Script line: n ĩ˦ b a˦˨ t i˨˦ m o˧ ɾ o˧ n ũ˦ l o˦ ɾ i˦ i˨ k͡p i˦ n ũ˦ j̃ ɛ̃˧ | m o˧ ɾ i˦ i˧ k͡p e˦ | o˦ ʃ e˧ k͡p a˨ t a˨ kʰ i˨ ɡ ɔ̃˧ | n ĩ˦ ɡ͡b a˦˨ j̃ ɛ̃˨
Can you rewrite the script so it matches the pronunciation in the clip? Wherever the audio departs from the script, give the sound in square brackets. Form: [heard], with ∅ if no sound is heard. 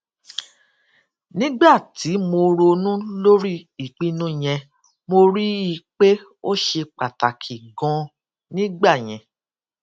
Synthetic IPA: n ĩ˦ [ɡ͡b] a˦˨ t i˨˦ m o˧ ɾ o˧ n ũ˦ l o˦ ɾ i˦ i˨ k͡p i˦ n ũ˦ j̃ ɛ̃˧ | m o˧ ɾ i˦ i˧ k͡p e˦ | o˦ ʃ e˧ k͡p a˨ t a˨ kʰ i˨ ɡ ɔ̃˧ | n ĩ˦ ɡ͡b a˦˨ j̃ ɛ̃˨